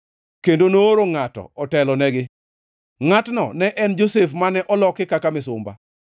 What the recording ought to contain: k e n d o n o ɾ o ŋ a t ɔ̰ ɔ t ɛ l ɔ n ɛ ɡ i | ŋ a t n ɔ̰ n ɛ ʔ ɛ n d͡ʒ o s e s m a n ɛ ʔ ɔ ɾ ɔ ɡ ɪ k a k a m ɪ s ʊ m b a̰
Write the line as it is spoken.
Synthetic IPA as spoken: k e n d o n o ɾ o ŋ a t ɔ̰ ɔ t ɛ l ɔ n ɛ ɡ ɪ | ŋ a t n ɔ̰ n ɛ ʔ ɛ n d͡ʒ o s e f m a n ɛ ʔ ɔ l ɔ k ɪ k a k a m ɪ s ʊ m b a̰